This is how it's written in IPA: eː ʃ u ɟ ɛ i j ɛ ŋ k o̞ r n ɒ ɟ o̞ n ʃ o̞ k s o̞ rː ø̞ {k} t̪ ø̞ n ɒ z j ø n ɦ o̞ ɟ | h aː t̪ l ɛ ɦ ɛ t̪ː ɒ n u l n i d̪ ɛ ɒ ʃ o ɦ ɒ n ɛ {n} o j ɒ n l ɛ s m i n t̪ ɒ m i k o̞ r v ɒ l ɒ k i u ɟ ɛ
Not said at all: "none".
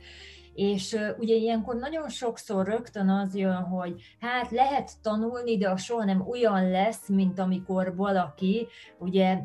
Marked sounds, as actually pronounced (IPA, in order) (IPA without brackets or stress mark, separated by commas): k, m